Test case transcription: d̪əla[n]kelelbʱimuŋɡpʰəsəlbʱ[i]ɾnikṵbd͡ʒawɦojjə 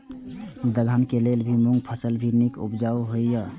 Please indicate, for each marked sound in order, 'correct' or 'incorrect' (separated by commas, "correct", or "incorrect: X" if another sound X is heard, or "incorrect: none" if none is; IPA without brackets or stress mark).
correct, correct